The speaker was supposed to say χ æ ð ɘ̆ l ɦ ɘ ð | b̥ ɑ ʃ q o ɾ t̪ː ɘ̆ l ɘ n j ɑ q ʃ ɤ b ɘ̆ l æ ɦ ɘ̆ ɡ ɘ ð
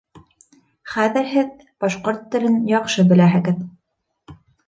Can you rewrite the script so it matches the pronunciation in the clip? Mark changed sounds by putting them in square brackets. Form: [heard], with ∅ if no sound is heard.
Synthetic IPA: χ æ ð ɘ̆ [ɾ] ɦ ɘ ð | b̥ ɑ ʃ q o ɾ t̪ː ɘ̆ l ɘ n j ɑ q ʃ ɤ b ɘ̆ l æ ɦ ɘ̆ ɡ ɘ ð